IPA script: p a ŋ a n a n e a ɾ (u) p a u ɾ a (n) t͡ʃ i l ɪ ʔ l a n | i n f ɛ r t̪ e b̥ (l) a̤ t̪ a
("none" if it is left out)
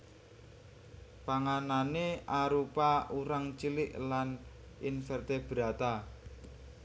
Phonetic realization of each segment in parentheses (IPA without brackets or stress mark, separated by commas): u, ŋ, ɾ